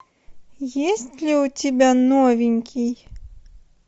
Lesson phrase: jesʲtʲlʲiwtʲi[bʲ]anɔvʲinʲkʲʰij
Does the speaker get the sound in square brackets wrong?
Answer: no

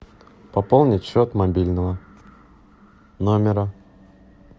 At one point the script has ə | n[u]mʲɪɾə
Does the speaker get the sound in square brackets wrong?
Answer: yes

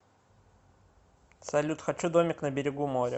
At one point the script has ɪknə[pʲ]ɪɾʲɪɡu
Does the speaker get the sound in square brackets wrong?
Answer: yes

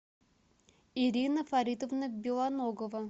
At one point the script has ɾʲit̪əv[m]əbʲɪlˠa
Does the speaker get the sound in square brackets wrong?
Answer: yes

